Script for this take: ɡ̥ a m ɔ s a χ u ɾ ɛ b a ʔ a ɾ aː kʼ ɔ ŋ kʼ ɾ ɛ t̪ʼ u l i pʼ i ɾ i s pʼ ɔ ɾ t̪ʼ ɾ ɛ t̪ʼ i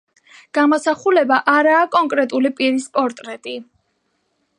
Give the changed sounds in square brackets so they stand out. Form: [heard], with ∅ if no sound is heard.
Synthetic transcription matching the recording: ɡ̥ a m ɔ s a χ u [l] ɛ b a ʔ a ɾ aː kʼ ɔ ŋ kʼ ɾ ɛ t̪ʼ u l i pʼ i ɾ i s pʼ ɔ ɾ t̪ʼ ɾ ɛ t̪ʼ i

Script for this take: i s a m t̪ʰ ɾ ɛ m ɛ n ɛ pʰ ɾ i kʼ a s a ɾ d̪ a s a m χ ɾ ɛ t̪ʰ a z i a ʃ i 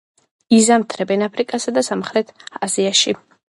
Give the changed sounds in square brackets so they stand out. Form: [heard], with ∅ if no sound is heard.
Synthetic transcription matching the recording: i [z] a m t̪ʰ ɾ ɛ [b] ɛ n [a] pʰ ɾ i kʼ a s a [∅] d̪ a s a m χ ɾ ɛ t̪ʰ a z i a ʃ i

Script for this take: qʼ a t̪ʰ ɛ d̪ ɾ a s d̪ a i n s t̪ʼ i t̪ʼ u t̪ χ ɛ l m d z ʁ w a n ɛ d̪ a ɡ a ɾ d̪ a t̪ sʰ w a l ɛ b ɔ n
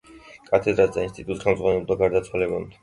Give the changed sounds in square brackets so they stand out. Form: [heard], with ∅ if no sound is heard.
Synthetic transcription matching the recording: [kʼ] a t̪ʰ ɛ d̪ ɾ a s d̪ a i n s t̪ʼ i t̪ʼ u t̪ χ ɛ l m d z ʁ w a n ɛ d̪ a ɡ a ɾ d̪ a t̪ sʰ w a l ɛ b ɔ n

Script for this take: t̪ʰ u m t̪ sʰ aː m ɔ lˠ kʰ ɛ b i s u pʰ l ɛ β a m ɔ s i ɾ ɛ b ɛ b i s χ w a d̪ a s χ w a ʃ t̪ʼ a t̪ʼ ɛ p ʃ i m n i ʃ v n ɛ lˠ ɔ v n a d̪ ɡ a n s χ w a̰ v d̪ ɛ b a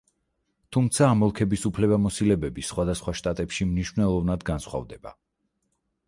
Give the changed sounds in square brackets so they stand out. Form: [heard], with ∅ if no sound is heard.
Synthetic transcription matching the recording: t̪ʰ u m t̪ sʰ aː m ɔ lˠ kʰ ɛ b i s u pʰ l ɛ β a m ɔ s i [l] ɛ b ɛ b i s χ w a d̪ a s χ w a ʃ t̪ʼ a t̪ʼ ɛ p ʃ i m n i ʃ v n ɛ lˠ ɔ v n a d̪ ɡ a n s χ w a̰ v d̪ ɛ b a

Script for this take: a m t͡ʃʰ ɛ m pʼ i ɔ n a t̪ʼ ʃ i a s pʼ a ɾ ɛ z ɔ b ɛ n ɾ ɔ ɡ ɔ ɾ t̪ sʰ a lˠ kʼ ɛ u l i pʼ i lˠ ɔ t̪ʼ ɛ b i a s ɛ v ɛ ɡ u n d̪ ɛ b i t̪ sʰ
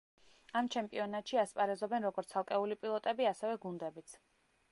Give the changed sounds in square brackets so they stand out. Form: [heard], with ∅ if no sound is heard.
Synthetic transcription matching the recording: a m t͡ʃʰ ɛ m pʼ i ɔ n a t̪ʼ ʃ i a s pʼ a ɾ ɛ z ɔ b ɛ n ɾ ɔ ɡ ɔ ɾ t̪ sʰ a lˠ kʼ ɛ u l i pʼ i lˠ ɔ t̪ʼ ɛ b i a s ɛ v ɛ ɡ u n d̪ ɛ b i t̪ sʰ

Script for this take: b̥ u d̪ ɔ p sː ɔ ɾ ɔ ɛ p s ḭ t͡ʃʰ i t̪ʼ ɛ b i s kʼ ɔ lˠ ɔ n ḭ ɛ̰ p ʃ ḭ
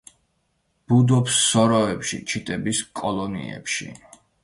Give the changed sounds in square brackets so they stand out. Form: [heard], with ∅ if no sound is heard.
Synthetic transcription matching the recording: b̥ u d̪ ɔ p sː ɔ ɾ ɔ ɛ p [ʃ] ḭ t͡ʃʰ i t̪ʼ ɛ b i s kʼ ɔ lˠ ɔ n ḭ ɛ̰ p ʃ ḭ

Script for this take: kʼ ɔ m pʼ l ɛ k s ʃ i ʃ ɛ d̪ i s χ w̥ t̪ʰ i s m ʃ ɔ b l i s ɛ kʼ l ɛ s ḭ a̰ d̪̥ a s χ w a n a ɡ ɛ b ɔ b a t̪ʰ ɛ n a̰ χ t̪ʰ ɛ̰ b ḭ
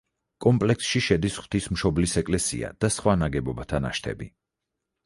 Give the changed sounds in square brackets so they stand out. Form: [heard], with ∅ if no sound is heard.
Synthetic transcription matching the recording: kʼ ɔ m pʼ l ɛ k s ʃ i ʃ ɛ d̪ i s χ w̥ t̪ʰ i s m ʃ ɔ b l i s ɛ kʼ l ɛ s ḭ a̰ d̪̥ a s χ w a n a ɡ ɛ b ɔ b a t̪ʰ [a] n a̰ [ʃ] t̪ʰ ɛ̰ b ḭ

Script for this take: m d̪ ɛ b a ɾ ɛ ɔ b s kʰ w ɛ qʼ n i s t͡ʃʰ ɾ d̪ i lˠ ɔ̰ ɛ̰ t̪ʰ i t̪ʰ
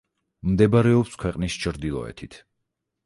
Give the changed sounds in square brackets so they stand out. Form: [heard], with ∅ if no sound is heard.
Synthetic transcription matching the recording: m d̪ ɛ b a ɾ ɛ ɔ [p] s kʰ w ɛ qʼ n i s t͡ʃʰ ɾ d̪ i lˠ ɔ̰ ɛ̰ t̪ʰ i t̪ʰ

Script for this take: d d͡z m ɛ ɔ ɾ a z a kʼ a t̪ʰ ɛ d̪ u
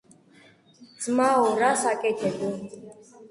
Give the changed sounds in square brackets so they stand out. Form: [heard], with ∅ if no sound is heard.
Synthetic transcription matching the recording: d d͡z m [a] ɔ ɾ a [s] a kʼ [ɛ] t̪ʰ ɛ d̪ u

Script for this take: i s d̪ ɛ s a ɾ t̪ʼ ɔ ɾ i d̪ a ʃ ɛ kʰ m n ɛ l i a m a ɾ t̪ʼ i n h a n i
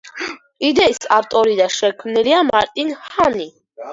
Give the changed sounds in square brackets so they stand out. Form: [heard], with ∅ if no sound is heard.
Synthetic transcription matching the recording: i [∅] d̪ ɛ s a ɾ t̪ʼ ɔ ɾ i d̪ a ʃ ɛ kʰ m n ɛ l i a m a ɾ t̪ʼ i n h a n i

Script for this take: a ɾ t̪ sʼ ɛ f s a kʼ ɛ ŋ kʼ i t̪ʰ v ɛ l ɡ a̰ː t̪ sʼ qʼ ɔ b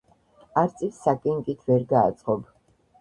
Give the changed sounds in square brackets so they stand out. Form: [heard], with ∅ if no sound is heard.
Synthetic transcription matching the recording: a ɾ t̪ sʼ [i] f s a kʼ ɛ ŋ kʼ i t̪ʰ v ɛ [ɾ] ɡ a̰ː t̪ sʼ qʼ ɔ b

